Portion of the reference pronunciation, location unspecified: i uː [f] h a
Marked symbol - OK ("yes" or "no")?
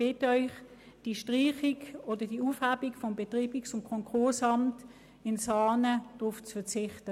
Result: yes